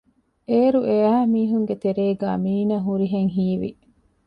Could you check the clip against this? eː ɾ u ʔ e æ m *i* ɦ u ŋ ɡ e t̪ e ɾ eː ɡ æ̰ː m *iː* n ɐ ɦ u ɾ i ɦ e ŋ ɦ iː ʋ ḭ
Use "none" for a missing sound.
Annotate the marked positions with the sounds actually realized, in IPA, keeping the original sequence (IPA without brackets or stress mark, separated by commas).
iː, iː